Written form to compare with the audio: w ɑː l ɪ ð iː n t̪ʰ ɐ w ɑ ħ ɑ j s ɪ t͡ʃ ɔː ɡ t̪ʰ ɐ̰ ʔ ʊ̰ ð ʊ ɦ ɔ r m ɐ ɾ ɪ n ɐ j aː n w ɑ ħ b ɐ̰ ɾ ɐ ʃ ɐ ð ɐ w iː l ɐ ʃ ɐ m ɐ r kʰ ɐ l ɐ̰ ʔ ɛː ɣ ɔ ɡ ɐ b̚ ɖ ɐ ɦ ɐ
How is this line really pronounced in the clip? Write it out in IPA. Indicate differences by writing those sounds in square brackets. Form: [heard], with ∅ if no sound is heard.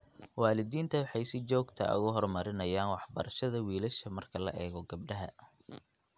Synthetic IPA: w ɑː l ɪ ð iː n t̪ʰ ɐ w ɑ ħ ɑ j s ɪ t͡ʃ ɔː ɡ t̪ʰ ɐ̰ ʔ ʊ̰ [ɣ] ʊ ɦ ɔ r m ɐ ɾ ɪ n ɐ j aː n w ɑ ħ b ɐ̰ ɾ ɐ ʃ ɐ ð ɐ w iː l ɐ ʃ ɐ m ɐ r kʰ ɐ l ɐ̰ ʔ ɛː ɣ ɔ ɡ ɐ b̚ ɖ ɐ ɦ ɐ